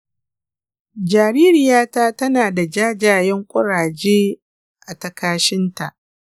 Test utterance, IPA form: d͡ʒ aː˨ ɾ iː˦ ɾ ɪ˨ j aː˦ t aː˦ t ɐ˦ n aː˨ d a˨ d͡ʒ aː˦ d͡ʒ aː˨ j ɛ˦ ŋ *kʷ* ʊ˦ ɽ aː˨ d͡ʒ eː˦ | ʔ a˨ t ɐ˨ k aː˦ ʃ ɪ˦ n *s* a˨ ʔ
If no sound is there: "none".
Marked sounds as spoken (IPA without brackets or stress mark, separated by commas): kʷʼ, t